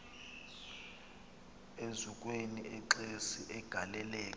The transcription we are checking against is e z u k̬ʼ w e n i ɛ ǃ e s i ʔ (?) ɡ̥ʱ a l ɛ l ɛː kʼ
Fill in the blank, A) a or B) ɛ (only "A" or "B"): B